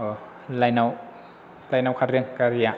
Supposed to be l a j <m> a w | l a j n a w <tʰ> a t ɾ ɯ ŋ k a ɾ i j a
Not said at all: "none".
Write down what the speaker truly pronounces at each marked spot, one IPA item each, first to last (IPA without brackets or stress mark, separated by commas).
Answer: n, kʰ